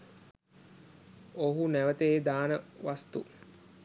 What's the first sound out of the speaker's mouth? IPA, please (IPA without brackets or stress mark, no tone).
o